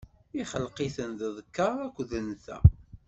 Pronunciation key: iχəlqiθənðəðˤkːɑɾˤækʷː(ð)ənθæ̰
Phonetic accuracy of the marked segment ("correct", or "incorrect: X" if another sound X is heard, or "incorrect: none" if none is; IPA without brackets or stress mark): correct